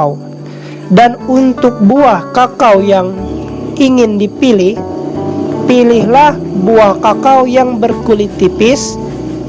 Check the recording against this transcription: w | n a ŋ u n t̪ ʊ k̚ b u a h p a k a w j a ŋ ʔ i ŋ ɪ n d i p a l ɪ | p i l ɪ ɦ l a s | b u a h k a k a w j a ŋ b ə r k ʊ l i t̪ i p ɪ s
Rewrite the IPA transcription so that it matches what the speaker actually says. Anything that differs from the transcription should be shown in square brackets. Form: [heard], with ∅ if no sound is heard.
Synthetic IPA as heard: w | [d] a [n] u n t̪ ʊ k̚ b u a h [k] a k a w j a ŋ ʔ i ŋ ɪ n d i p [i] l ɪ | p i l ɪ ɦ l a [h] | b u a h k a k a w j a ŋ b ə r k [u] l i t̪ i p ɪ s

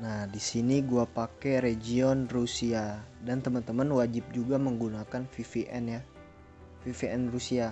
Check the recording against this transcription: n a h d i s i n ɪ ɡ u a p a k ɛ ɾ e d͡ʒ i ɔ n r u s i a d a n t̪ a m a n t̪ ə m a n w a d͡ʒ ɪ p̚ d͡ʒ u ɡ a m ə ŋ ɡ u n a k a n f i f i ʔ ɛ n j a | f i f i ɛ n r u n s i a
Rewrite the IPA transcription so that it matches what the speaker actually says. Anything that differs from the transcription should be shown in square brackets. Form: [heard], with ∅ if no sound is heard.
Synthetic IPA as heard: n a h d i s i n [i] ɡ u a p a k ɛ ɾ e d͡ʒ i ɔ n r u s i a d a n t̪ [ə] m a n t̪ ə m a n w a d͡ʒ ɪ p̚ d͡ʒ u ɡ a m ə ŋ ɡ u n a k a n f i f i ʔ ɛ n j a | f i f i ɛ n r u [∅] s i a

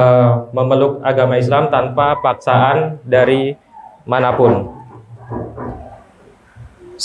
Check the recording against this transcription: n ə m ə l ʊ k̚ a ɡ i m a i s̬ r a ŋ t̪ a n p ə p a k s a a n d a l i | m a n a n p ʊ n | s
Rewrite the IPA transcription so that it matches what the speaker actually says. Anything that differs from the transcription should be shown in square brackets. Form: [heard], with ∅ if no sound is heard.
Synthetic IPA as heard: [m] ə m ə l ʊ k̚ a ɡ [a] m a i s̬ [l] a [m] t̪ a n p [a] p a k s a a n d a [ɾ] i | m a n a [∅] p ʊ n | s

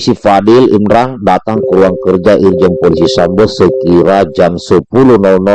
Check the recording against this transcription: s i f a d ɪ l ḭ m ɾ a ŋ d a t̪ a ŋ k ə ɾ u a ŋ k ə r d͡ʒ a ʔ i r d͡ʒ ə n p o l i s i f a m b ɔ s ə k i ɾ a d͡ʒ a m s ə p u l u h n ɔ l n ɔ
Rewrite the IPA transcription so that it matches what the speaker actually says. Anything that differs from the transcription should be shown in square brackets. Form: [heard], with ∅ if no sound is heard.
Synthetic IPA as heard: s i f a d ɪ l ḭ m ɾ a ŋ d a t̪ a ŋ k ə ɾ u a ŋ k ə r d͡ʒ a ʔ i r d͡ʒ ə n p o l i s i [s] a m b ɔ s ə k i ɾ a d͡ʒ a m s ə p u l u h n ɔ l n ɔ

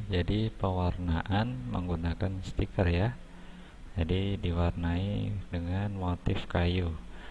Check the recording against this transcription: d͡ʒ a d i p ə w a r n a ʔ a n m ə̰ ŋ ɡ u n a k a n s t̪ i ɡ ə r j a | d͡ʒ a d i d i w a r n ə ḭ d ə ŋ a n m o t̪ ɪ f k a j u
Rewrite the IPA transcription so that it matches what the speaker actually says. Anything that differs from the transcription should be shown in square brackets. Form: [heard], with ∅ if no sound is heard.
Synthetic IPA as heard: d͡ʒ a d i p ə w a r n a ʔ a n m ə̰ ŋ ɡ u n a k a n s t̪ i [k] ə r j a | d͡ʒ a d i d i w a r n [a] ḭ d ə ŋ a n m o t̪ ɪ f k a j u

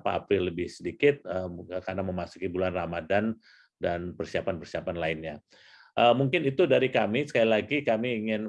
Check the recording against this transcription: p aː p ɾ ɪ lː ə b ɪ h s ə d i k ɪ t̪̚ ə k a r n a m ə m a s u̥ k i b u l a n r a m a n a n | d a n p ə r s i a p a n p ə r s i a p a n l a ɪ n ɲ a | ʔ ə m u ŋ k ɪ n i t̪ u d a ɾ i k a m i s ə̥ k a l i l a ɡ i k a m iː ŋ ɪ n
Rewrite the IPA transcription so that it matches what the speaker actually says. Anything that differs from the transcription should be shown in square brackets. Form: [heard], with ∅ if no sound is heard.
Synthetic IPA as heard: p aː p ɾ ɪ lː ə b ɪ h s ə d i k ɪ t̪̚ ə k a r n a m ə m a s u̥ k i b u l a n r a m a [d] a n | d a n p ə r s i a p a n p ə r s i a p a n l a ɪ n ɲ a | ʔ ə m u ŋ k ɪ n i t̪ u d a ɾ i k a m i s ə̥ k a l i l a ɡ i k a m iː ŋ ɪ n

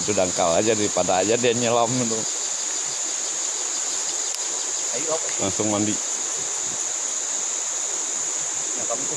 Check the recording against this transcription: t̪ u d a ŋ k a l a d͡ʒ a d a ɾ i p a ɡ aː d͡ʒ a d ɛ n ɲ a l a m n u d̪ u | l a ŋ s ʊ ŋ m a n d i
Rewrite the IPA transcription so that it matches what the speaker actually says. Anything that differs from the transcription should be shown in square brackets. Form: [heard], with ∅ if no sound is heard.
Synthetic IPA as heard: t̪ u d a ŋ k a l a d͡ʒ a d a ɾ i p a [d] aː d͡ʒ a d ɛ n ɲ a l a m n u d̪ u | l a ŋ s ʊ ŋ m a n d i

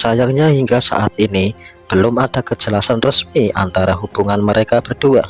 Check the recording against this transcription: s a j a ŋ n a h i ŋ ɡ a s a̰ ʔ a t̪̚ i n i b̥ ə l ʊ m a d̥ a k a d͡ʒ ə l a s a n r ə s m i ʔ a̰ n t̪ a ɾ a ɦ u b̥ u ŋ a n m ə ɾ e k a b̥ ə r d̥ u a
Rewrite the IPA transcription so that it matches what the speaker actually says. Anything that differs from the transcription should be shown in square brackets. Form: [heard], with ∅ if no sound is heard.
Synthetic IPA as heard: s a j a ŋ [ɲ] a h i ŋ ɡ a s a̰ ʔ a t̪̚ i n i b̥ ə l ʊ m a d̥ a k [ə] d͡ʒ ə l a s a n r ə s m i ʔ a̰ n t̪ a ɾ a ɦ u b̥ u ŋ a n m ə ɾ e k a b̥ ə r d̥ u a

